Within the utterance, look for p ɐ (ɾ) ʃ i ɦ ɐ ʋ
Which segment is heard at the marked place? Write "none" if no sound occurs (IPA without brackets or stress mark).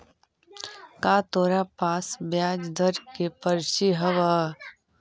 ɾ